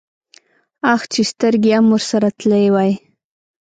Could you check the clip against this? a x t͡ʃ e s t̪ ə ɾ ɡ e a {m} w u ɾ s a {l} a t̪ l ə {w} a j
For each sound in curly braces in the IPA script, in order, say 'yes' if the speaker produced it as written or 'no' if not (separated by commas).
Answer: yes, no, yes